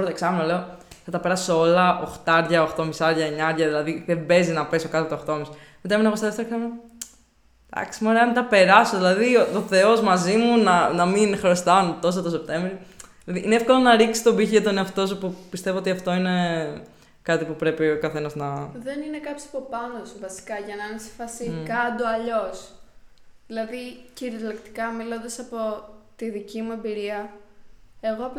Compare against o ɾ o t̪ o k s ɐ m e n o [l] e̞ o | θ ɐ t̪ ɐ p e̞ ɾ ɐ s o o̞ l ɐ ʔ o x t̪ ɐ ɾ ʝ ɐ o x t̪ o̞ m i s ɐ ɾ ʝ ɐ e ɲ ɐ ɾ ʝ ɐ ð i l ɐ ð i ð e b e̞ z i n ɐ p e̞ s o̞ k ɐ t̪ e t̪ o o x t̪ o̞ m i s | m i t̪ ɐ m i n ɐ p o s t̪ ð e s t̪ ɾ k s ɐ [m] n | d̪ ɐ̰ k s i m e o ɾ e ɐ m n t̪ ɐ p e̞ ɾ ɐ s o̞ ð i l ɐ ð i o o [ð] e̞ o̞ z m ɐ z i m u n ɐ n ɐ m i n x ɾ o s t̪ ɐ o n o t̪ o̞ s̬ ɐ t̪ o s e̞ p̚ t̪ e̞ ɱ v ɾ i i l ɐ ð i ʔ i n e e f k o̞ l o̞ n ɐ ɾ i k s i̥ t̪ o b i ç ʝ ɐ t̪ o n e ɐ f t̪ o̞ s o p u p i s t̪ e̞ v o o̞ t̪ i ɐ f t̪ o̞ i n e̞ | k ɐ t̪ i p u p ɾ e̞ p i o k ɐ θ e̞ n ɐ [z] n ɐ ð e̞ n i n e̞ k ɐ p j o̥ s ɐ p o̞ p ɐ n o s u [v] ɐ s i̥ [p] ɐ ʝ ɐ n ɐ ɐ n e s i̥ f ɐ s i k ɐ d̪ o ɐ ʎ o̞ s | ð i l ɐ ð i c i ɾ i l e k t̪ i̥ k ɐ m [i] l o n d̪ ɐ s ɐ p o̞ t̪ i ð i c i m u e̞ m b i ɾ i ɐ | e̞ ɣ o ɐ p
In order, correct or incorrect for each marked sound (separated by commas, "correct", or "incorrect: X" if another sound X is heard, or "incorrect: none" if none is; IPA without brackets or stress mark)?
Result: correct, correct, incorrect: θ, correct, correct, incorrect: k, correct